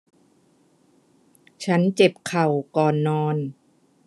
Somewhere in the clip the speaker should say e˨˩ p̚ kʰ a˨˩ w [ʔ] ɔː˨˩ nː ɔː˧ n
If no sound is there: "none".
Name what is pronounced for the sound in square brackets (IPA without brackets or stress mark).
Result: k